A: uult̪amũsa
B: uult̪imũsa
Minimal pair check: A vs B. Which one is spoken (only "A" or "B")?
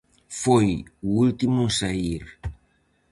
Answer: B